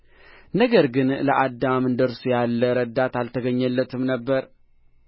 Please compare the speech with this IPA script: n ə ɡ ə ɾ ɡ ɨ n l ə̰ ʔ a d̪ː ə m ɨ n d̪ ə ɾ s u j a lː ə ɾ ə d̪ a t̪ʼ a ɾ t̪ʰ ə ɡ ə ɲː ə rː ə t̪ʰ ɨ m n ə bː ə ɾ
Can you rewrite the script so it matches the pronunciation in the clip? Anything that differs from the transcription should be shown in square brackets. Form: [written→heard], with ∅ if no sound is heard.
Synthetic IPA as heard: n ə ɡ ə ɾ ɡ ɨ n l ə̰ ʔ a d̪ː [ə→a] m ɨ n d̪ ə ɾ s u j a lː ə ɾ ə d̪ a [t̪ʼ→t̪] a [ɾ→l] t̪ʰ ə ɡ ə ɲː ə [rː→lː] ə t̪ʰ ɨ m n ə bː ə ɾ